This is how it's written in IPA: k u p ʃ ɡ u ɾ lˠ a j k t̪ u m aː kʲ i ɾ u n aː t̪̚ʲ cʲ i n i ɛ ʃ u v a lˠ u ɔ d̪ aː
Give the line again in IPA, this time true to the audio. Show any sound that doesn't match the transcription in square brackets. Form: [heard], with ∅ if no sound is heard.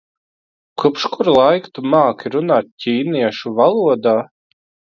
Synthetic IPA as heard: k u p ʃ [k] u ɾ lˠ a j k t̪ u m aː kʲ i ɾ u n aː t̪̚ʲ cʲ [iː] n i ɛ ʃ u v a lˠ u ɔ d̪ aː